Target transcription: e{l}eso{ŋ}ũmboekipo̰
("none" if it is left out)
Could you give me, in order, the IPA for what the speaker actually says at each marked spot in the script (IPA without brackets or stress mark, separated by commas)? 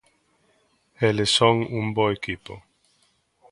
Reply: l, ŋ